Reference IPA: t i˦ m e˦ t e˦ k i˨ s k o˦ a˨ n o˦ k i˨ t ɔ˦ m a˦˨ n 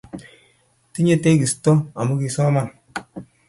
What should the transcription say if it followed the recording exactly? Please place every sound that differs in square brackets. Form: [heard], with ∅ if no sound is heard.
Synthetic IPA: t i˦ [ɲ] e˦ t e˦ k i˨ s [t] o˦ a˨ [m] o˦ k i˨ [s] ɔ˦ m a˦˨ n